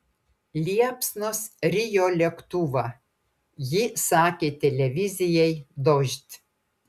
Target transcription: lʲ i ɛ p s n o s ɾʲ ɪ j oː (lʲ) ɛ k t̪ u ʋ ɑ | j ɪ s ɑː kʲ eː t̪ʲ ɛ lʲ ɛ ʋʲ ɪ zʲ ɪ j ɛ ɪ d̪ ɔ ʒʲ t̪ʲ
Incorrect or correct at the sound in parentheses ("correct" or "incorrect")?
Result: correct